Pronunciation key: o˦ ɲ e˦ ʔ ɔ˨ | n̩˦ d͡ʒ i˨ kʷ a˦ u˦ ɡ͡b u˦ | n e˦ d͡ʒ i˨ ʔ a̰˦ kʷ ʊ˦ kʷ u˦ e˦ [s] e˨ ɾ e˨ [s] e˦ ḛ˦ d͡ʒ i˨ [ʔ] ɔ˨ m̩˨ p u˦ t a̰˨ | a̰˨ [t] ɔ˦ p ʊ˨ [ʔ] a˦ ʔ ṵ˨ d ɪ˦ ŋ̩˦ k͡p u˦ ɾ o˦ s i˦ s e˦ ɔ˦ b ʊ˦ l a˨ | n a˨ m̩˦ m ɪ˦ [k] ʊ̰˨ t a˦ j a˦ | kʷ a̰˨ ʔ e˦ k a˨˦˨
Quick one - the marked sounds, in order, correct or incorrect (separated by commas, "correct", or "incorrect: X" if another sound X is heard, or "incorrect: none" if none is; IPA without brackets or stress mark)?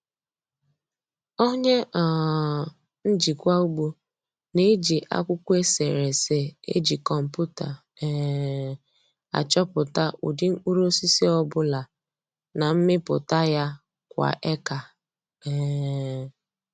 correct, correct, incorrect: k, incorrect: t͡ʃ, incorrect: t, incorrect: p